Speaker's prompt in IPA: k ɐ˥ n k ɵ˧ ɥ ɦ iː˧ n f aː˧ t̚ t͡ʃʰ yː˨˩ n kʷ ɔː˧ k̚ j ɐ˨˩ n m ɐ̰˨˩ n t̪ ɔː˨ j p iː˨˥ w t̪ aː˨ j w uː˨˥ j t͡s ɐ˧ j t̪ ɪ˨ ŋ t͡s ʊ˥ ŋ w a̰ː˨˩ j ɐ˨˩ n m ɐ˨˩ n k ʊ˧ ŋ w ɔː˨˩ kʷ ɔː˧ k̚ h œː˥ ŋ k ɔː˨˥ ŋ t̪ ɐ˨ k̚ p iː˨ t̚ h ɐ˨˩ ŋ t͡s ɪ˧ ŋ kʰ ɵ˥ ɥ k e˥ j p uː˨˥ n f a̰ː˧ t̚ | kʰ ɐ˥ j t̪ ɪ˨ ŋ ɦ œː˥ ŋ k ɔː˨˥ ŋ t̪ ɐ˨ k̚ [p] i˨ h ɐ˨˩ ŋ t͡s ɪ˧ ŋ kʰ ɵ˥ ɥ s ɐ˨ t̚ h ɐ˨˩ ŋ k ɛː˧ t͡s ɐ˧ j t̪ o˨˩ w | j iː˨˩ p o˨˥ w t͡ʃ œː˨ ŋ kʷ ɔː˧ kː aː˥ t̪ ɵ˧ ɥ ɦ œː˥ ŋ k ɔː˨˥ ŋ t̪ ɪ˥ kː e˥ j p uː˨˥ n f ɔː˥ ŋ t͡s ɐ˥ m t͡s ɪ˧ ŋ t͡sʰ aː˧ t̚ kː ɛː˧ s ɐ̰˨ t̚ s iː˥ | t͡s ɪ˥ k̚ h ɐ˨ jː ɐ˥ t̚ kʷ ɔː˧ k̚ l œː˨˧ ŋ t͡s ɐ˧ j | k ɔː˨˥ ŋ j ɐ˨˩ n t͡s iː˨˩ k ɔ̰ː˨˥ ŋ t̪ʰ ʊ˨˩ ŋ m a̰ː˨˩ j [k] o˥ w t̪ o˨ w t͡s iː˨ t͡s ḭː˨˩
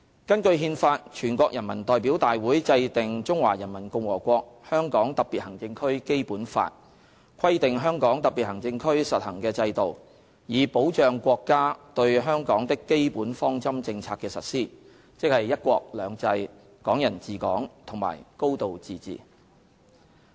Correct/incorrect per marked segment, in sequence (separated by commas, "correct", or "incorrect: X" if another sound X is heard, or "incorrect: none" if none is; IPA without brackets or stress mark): correct, correct